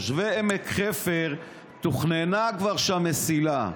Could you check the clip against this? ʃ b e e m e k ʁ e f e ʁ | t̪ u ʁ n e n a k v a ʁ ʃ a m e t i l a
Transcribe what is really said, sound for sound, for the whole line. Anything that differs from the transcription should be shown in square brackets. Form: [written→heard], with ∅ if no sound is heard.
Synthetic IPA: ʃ [b→v] e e m e k [ʁ→χ] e f e ʁ | t̪ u [ʁ→χ] n e n a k v a ʁ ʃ a m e [t→s] i l a